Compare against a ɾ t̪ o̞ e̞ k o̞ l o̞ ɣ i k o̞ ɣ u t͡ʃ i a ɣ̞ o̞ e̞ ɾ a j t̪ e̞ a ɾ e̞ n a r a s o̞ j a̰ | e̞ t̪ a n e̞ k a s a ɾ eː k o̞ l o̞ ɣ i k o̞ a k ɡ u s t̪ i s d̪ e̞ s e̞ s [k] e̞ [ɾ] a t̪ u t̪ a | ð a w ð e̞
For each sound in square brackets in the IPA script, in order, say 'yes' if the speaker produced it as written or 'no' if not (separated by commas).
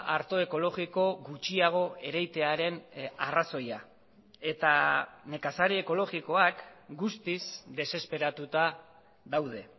no, yes